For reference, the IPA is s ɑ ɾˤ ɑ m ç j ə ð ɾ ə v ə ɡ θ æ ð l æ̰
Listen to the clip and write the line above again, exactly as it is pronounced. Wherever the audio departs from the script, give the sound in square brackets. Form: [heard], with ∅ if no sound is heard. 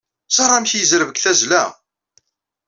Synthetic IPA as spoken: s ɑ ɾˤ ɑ m ç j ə [z] ɾ ə v ə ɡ θ æ [z] l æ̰